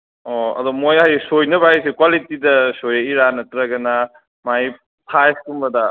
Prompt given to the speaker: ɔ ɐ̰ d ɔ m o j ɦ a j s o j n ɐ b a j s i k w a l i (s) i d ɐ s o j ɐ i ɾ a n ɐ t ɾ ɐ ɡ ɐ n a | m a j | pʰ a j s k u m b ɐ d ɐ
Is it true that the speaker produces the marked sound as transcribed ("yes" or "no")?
no